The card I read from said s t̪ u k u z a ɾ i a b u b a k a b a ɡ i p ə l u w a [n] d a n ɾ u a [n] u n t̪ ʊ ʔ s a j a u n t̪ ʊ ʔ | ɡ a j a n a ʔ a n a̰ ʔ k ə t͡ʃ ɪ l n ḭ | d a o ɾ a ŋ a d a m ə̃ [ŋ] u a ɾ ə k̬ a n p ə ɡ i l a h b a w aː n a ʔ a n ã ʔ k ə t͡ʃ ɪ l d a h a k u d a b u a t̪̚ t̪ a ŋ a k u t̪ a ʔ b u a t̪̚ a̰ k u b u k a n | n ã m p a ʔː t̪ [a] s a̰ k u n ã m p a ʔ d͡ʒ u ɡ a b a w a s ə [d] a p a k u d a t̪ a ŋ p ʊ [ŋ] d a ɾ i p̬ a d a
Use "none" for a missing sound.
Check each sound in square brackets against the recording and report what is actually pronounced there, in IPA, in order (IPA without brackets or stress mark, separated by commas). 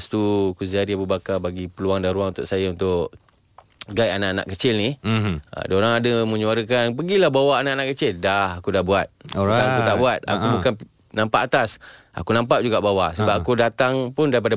ŋ, ŋ, ɲ, a, b, n